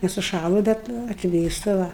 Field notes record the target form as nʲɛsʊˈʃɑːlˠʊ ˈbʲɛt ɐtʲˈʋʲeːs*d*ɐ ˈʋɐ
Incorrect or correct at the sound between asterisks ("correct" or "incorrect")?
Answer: incorrect